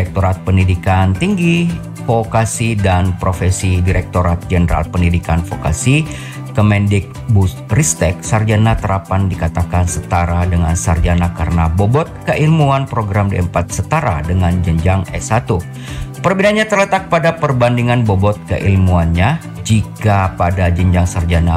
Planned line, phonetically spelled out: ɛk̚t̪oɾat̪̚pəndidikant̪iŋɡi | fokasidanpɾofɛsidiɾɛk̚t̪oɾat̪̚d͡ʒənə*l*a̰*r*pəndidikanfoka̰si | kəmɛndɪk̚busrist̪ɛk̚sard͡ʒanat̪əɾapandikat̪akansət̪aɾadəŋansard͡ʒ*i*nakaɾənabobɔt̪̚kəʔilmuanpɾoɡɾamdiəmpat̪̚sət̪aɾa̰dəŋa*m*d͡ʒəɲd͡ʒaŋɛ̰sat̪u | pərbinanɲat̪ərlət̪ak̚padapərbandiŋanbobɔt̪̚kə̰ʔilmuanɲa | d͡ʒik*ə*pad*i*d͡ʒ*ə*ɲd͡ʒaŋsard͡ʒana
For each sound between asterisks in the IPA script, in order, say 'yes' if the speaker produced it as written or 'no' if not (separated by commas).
no, no, no, no, no, no, yes